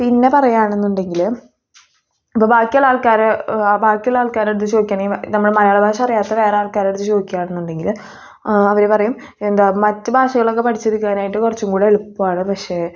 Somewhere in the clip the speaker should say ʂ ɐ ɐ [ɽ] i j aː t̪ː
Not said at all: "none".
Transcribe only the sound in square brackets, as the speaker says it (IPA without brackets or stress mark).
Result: r